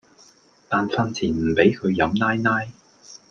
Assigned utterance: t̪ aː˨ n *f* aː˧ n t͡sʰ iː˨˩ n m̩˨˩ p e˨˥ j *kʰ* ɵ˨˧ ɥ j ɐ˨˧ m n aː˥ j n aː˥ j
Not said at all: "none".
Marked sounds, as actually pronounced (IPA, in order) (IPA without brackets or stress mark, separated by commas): f, kʰ